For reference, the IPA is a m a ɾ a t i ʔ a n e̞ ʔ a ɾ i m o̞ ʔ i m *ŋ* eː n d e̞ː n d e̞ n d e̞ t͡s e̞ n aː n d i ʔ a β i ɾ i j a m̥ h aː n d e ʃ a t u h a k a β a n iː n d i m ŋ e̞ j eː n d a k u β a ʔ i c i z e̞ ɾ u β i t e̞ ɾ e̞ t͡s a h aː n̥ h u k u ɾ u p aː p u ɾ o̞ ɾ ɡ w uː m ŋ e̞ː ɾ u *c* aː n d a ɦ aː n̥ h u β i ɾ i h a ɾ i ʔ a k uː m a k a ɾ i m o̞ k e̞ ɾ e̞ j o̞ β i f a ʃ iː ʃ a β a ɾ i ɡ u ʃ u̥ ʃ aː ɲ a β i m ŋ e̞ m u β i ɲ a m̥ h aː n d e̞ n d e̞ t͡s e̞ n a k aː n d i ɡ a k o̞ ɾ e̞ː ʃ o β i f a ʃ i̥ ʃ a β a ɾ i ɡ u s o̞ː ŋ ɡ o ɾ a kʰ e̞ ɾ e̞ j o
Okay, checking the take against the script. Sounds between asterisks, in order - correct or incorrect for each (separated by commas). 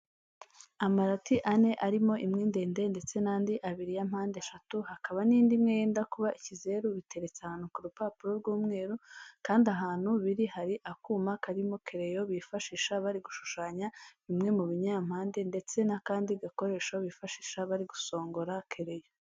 correct, incorrect